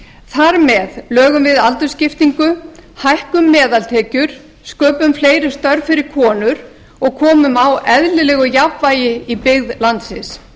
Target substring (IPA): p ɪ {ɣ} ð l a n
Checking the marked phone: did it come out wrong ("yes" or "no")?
no